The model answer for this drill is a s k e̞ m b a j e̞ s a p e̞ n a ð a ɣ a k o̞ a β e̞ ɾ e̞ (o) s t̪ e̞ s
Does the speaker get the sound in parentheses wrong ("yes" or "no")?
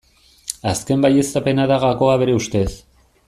yes